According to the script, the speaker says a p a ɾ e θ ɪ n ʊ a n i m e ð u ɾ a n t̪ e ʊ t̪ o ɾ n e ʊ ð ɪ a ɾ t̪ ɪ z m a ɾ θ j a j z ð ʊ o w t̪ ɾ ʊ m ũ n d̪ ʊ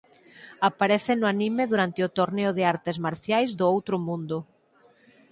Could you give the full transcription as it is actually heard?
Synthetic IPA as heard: a p a ɾ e θ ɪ n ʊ a n i m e ð u ɾ a n t̪ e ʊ t̪ o ɾ n e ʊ ð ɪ a ɾ t̪ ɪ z m a ɾ θ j a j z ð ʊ o w t̪ ɾ ʊ m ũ n d̪ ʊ